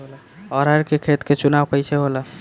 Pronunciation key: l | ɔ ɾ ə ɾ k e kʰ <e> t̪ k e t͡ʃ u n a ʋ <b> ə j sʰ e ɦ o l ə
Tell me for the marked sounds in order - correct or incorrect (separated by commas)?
correct, incorrect